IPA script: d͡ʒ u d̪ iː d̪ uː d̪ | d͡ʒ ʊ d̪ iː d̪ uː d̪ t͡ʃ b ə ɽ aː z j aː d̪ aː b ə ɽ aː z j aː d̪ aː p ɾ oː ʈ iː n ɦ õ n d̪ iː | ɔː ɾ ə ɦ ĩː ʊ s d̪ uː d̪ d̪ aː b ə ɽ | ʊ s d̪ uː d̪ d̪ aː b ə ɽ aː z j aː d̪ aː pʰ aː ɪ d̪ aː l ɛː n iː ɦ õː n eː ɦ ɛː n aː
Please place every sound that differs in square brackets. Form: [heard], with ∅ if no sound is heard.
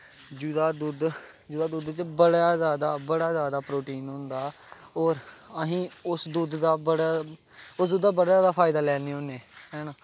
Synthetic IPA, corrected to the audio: d͡ʒ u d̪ [aː] d̪ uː d̪ | d͡ʒ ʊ d̪ [aː] d̪ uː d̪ t͡ʃ b ə ɽ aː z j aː d̪ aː b ə ɽ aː z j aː d̪ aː p ɾ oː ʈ iː n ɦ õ n d̪ [aː] | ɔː ɾ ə ɦ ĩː ʊ s d̪ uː d̪ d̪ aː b ə ɽ | ʊ s d̪ uː d̪ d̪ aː b ə ɽ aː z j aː d̪ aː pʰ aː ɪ d̪ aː l ɛː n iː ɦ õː n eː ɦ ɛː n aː